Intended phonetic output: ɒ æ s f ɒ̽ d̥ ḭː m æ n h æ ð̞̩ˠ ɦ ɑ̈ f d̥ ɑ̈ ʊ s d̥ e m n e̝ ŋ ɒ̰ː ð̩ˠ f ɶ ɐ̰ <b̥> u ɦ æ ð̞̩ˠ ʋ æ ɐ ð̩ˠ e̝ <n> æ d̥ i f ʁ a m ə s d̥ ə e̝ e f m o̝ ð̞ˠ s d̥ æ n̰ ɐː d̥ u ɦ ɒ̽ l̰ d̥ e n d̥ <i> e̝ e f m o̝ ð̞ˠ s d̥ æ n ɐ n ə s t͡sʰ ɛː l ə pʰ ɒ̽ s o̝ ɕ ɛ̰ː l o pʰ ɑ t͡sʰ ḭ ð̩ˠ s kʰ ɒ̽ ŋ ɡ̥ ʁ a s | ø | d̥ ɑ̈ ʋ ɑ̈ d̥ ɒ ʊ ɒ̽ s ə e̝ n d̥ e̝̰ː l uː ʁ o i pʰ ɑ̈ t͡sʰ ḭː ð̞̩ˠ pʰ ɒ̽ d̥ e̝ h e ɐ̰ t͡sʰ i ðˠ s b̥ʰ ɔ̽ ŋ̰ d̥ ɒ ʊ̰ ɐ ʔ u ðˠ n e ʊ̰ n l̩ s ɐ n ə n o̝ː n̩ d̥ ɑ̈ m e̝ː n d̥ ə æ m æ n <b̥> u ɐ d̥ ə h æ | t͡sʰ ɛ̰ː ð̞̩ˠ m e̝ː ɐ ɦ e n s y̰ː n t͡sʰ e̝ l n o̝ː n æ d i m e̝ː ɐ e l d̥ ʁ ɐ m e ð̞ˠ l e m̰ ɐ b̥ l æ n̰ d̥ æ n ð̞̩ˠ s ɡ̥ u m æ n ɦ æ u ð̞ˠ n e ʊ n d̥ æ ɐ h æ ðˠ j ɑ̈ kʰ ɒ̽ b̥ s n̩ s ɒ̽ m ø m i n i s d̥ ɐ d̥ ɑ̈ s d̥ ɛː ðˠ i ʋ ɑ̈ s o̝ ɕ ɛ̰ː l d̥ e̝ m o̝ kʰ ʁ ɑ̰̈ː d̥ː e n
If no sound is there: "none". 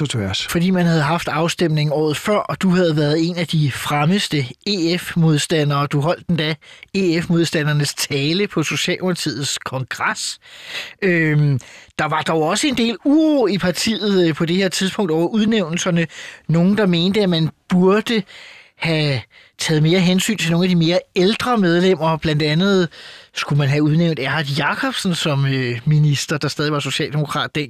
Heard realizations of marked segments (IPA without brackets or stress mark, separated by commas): d̥, n, æ, b̥